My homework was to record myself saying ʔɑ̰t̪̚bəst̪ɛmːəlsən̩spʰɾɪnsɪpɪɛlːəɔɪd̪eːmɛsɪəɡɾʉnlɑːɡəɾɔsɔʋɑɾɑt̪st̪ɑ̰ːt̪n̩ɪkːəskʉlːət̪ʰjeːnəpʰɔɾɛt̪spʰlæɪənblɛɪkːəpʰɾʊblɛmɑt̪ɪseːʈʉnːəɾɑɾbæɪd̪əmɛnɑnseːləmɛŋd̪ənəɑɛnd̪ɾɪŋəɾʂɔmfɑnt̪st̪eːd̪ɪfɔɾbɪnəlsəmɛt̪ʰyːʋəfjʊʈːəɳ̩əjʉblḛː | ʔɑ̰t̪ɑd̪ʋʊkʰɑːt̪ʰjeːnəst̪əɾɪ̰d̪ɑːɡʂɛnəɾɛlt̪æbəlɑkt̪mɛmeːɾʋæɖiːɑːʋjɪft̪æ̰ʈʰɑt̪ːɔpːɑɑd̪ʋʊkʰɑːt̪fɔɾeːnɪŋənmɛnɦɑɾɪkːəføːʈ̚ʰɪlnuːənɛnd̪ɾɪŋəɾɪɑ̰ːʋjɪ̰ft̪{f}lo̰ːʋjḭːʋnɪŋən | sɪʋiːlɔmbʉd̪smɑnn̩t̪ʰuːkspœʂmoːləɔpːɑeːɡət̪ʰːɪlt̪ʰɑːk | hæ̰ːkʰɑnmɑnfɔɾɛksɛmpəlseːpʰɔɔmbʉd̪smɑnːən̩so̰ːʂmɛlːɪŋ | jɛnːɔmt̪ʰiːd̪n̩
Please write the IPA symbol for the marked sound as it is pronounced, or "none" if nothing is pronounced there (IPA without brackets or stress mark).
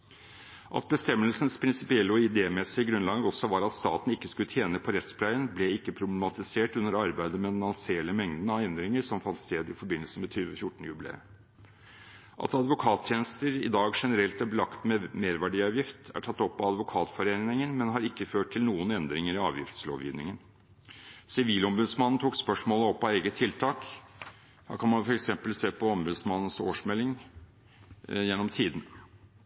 s